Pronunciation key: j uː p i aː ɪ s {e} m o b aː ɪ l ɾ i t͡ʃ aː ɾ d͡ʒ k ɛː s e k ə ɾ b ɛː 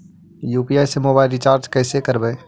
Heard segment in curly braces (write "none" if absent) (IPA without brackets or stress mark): e